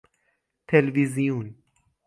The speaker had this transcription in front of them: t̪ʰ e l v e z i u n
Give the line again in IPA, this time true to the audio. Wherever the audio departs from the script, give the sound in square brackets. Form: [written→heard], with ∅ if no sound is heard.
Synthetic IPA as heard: t̪ʰ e l v [e→i] z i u n